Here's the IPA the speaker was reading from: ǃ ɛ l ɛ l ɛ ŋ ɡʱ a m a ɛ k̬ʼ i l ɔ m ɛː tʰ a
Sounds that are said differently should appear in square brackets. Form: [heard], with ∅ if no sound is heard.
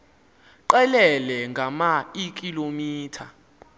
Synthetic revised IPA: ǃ ɛ l ɛ l ɛ ŋ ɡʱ a m a [i] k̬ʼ i l [o] m [iː] tʰ a